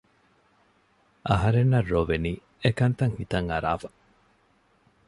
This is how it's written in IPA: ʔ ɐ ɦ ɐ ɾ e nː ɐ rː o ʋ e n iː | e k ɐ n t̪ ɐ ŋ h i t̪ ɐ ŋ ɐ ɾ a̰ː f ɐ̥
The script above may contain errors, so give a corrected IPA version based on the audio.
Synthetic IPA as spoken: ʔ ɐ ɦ ɐ ɾ e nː ɐ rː o ʋ e n iː | e k ɐ n t̪ ɐ ŋ h i t̪ ɐ ŋ ɐ ɾ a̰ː f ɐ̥